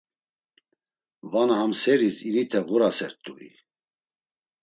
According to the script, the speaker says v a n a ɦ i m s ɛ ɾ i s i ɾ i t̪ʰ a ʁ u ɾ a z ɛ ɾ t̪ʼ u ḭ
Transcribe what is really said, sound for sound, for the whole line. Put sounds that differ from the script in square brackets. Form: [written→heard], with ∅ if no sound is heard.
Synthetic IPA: v a n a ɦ [i→a] m s ɛ ɾ i s i ɾ i t̪ʰ [a→ɛ] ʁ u ɾ a [z→s] ɛ ɾ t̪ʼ u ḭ